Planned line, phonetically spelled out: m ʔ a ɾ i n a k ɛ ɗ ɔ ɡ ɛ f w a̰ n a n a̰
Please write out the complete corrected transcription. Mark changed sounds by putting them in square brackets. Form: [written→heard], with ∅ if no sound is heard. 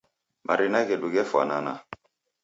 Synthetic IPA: m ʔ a ɾ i n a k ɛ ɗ [ɔ→u] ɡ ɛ f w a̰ n a n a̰